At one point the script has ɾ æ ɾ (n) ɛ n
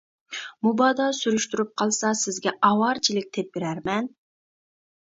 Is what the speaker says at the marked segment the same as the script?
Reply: no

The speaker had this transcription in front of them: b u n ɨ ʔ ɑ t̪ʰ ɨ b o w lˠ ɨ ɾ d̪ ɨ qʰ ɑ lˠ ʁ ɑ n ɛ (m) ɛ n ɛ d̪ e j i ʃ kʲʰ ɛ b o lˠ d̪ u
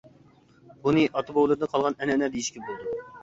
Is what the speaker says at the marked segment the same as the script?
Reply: no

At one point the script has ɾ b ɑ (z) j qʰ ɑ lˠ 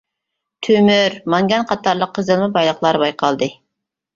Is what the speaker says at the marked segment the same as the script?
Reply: no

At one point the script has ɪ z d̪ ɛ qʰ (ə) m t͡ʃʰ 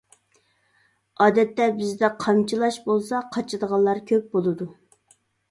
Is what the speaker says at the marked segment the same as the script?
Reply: no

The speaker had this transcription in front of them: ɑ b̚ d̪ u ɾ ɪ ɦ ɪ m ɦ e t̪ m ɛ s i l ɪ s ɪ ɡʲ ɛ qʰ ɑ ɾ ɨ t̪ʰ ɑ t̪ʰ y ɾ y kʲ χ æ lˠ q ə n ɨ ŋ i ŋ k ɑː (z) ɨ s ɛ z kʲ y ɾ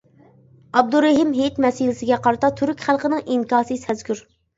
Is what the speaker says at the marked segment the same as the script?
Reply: no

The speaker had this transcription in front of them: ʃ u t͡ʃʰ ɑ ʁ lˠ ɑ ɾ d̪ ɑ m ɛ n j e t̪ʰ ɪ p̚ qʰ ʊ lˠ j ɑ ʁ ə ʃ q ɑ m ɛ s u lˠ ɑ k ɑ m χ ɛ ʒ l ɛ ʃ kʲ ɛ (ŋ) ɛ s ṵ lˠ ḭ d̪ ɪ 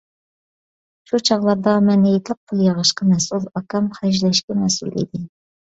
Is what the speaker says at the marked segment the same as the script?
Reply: no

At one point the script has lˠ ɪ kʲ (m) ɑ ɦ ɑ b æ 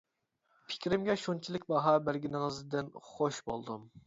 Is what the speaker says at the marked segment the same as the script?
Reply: no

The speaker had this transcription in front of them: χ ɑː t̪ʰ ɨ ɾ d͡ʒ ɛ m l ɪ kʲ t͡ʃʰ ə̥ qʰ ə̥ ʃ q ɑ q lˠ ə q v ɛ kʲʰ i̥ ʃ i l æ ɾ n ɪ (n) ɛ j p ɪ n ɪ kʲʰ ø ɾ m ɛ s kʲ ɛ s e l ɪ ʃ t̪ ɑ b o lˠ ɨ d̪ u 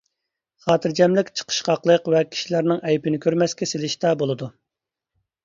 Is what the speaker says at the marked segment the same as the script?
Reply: no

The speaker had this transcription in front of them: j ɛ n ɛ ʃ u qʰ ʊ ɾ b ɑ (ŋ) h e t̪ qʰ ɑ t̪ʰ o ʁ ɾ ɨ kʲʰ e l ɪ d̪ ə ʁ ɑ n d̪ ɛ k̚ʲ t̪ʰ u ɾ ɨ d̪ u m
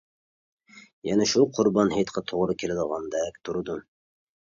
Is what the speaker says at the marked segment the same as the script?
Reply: no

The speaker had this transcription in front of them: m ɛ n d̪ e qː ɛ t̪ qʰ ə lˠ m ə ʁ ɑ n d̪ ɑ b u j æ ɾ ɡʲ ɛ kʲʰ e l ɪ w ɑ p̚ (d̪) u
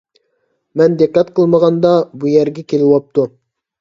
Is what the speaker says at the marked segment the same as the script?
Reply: no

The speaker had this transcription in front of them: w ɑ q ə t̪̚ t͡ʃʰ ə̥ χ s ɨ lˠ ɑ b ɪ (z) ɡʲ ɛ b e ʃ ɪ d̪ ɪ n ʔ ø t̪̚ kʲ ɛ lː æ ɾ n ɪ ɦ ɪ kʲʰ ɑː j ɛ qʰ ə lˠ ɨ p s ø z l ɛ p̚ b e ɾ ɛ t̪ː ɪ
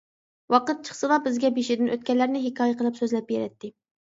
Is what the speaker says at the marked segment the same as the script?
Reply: yes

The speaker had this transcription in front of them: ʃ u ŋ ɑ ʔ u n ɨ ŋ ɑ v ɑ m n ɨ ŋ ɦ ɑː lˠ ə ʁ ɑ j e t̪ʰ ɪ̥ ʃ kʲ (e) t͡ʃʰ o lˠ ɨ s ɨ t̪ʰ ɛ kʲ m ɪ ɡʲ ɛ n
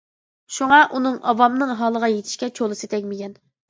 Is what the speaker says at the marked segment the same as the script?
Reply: no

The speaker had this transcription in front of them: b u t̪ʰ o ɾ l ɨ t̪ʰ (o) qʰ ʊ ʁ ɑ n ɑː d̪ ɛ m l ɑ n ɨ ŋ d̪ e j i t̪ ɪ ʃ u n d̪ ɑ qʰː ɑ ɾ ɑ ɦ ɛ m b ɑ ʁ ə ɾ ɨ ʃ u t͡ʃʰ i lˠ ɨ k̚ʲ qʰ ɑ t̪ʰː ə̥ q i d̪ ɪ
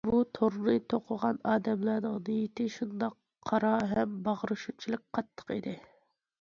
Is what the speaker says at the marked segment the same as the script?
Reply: yes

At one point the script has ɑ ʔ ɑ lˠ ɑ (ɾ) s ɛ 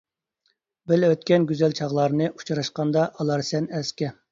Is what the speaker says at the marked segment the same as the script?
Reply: yes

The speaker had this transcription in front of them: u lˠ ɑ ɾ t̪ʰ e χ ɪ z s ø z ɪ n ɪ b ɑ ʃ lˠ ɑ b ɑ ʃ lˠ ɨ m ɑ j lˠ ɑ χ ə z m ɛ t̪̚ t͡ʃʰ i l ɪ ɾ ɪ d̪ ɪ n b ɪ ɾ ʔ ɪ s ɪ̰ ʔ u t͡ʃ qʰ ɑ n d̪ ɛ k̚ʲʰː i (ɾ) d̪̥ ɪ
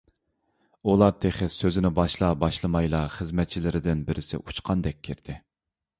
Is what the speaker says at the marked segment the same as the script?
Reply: yes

